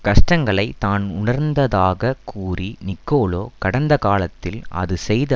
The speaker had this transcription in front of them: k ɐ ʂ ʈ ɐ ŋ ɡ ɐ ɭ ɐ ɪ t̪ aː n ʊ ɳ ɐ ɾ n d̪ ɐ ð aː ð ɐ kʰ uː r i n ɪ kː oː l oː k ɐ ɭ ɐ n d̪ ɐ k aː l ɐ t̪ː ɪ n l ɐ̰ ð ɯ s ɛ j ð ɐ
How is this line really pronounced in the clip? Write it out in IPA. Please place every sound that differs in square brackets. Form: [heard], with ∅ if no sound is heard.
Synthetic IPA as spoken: k ɐ ʂ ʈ ɐ ŋ ɡ ɐ ɭ ɐ ɪ t̪ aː n ʊ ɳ ɐ ɾ n d̪ ɐ ð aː [ɣ] ɐ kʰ uː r i n ɪ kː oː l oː k ɐ [ɽ] ɐ n d̪ ɐ k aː l ɐ t̪ː ɪ [∅] l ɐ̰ ð ɯ s ɛ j ð ɐ